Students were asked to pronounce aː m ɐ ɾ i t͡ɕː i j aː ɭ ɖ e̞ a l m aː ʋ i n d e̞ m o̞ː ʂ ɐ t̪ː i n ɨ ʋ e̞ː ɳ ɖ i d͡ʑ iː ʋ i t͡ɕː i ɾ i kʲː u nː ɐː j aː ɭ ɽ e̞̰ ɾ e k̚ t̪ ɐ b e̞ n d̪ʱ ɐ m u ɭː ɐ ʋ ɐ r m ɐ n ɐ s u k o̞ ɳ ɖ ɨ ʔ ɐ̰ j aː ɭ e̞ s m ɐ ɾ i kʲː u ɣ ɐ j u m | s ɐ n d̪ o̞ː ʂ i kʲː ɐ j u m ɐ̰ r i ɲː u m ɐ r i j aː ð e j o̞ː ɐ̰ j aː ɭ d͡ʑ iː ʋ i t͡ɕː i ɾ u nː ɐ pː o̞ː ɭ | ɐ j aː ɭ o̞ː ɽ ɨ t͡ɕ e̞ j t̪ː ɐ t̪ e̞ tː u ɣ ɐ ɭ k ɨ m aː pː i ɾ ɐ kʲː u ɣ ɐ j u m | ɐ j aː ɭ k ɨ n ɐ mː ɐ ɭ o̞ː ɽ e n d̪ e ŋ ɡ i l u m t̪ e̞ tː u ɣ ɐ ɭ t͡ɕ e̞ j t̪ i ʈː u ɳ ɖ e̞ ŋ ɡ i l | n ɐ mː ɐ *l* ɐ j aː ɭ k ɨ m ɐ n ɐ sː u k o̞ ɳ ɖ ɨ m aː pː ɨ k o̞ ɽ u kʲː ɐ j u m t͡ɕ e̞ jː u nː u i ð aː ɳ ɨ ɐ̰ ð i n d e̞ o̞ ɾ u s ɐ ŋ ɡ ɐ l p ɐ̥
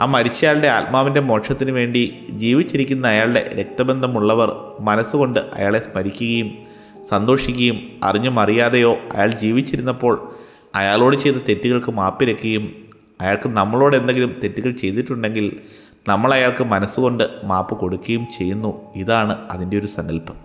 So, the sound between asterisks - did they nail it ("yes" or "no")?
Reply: no